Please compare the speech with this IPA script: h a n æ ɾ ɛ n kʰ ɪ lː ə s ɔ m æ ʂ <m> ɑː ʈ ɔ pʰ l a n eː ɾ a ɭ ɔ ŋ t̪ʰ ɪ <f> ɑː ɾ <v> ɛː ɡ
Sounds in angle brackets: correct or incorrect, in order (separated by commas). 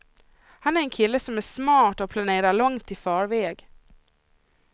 correct, correct, correct